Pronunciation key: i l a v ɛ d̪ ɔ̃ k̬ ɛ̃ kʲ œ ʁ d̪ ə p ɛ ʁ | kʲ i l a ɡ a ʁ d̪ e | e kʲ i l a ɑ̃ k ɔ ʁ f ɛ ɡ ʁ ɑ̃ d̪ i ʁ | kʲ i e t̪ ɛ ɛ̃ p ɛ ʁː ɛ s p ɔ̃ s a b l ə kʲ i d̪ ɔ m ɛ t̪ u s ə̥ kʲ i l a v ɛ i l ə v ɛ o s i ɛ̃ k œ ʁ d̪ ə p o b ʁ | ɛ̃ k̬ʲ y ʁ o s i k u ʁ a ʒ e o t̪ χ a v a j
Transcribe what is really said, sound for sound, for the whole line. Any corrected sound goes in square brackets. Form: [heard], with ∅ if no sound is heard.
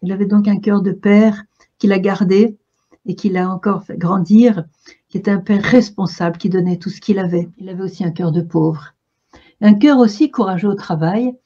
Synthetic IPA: i l a v ɛ d̪ ɔ̃ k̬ ɛ̃ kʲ œ ʁ d̪ ə p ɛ ʁ | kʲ i l a ɡ a ʁ d̪ e | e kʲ i l a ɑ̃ k ɔ ʁ f ɛ ɡ ʁ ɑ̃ d̪ i ʁ | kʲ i e t̪ ɛ ɛ̃ p ɛ ʁː ɛ s p ɔ̃ s a b l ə kʲ i d̪ ɔ [n] ɛ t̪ u s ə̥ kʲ i l a v ɛ i l [a] v ɛ o s i ɛ̃ k œ ʁ d̪ ə p o [v] ʁ | ɛ̃ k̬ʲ [œ] ʁ o s i k u ʁ a ʒ e o t̪ χ a v a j